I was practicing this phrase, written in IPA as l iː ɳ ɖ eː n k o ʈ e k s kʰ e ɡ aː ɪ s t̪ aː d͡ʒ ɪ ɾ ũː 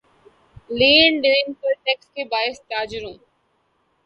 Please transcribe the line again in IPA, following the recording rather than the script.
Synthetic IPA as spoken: l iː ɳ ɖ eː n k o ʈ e k s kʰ e b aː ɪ s t̪ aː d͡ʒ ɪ ɾ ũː